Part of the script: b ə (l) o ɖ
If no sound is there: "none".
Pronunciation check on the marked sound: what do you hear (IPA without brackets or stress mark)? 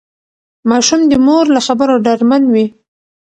ɾ